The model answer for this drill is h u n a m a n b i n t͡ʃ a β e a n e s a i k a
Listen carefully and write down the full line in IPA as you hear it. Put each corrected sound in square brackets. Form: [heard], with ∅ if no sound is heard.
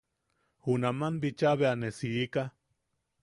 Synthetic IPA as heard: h u n a m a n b i [∅] t͡ʃ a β e a n e s [i] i k a